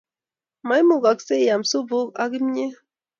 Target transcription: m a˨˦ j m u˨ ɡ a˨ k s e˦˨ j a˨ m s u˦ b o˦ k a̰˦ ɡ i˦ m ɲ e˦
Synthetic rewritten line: m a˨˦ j m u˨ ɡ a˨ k s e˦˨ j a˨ m s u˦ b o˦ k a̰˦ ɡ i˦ m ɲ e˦